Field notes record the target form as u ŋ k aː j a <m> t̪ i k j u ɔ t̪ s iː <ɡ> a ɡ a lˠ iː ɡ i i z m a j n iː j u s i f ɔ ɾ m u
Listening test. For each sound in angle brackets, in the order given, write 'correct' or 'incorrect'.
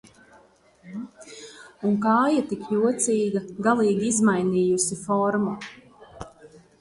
incorrect, correct

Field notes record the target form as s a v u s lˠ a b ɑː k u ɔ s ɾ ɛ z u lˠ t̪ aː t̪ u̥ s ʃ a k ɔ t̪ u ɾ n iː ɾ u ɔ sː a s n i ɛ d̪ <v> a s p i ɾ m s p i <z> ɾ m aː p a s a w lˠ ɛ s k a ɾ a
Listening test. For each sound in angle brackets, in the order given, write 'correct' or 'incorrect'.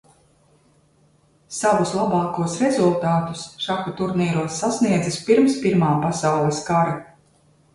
incorrect, incorrect

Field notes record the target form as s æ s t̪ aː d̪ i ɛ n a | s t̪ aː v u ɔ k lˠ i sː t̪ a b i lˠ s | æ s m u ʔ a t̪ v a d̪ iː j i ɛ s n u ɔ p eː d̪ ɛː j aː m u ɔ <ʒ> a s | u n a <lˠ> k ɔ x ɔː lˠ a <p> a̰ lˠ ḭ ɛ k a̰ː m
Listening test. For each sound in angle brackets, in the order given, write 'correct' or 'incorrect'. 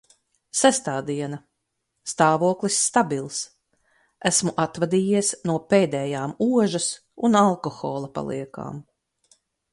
correct, correct, correct

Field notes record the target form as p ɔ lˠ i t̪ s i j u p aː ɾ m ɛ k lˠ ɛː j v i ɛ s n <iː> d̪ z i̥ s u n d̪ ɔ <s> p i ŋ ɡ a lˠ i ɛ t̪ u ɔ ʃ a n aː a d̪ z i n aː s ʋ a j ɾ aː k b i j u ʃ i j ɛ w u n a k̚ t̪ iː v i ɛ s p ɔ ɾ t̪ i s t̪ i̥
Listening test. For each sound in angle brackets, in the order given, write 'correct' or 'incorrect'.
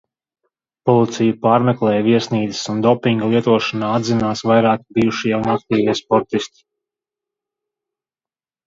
correct, incorrect

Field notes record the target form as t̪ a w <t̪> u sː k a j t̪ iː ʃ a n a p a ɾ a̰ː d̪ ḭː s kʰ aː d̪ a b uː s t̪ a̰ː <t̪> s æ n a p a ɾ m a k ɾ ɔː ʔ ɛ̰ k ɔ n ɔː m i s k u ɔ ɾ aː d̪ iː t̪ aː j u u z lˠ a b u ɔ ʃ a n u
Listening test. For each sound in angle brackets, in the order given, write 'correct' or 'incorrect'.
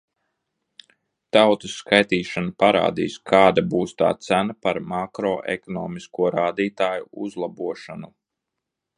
correct, correct

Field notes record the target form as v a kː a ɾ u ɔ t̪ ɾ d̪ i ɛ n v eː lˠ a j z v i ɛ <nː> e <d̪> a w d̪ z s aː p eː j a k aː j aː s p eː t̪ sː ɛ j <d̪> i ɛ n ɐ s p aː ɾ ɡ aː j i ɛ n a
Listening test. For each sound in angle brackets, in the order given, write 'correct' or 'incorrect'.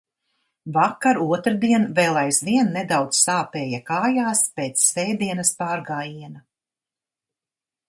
correct, correct, correct

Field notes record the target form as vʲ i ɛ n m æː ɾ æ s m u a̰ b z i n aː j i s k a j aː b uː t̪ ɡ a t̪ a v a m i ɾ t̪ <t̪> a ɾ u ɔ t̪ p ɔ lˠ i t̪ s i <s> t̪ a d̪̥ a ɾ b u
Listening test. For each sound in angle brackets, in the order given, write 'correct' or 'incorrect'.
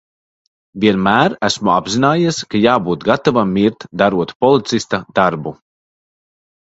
incorrect, correct

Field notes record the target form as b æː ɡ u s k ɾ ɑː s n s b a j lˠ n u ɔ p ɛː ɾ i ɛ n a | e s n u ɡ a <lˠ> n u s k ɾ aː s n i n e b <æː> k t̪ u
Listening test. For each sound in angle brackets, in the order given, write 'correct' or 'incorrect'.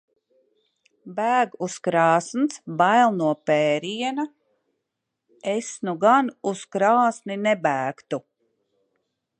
incorrect, correct

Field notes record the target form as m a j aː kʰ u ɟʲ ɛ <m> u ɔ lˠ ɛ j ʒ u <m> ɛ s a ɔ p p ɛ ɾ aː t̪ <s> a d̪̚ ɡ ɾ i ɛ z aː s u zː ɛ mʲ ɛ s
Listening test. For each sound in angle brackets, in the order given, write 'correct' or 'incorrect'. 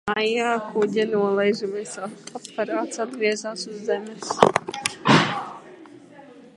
incorrect, correct, correct

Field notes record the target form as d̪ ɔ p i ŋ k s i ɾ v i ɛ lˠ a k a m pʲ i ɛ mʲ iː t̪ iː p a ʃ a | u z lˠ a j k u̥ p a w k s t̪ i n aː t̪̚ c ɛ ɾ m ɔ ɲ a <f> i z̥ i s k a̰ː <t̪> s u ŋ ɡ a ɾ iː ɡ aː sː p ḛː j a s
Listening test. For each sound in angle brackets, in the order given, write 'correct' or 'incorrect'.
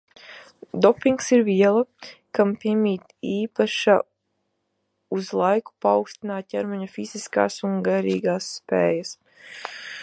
correct, incorrect

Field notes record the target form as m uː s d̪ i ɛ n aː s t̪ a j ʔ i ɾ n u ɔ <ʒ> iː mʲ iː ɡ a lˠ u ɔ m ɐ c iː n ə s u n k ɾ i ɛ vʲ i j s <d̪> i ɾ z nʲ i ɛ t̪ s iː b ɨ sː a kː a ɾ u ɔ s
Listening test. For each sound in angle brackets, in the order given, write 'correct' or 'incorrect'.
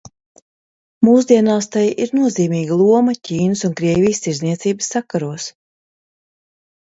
incorrect, incorrect

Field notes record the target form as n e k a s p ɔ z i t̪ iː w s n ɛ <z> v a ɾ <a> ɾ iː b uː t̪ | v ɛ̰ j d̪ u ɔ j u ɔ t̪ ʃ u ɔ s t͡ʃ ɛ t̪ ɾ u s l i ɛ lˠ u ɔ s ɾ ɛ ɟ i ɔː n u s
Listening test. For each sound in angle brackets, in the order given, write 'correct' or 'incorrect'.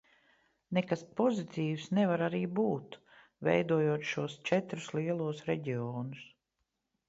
incorrect, correct

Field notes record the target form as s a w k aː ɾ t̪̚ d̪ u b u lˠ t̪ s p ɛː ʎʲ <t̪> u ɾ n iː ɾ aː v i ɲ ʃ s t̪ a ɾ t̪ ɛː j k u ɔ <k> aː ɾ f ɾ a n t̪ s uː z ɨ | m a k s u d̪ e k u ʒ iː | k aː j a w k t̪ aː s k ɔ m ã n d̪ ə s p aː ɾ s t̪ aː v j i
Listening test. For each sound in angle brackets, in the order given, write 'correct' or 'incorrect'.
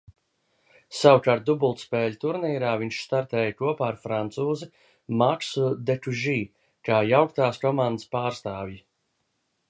correct, incorrect

